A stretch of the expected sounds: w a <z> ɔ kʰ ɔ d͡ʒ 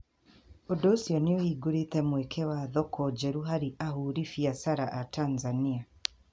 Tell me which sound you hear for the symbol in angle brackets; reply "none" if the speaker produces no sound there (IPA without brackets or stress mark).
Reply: ð